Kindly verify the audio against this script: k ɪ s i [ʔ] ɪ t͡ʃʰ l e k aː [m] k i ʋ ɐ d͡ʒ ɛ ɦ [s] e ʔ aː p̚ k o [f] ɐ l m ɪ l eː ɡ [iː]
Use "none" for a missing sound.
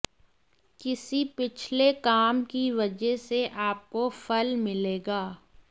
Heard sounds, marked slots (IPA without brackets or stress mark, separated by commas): p, m, s, f, aː